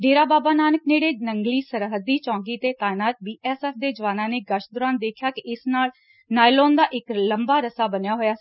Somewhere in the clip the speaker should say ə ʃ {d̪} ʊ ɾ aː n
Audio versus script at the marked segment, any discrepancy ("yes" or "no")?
no